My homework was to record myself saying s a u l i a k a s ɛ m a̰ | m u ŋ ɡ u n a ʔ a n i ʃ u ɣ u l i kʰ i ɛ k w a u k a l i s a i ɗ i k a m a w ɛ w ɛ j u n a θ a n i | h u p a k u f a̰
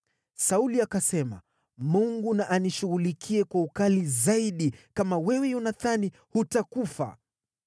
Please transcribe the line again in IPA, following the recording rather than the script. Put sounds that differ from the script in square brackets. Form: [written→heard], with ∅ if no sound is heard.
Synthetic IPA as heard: s a u l i a k a s ɛ m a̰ | m u ŋ ɡ u n a ʔ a n i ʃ u ɣ u l i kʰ i ɛ k w a u k a l i [s→z] a i ɗ i k a m a w ɛ w ɛ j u n a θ a n i | h u [p→t] a k u f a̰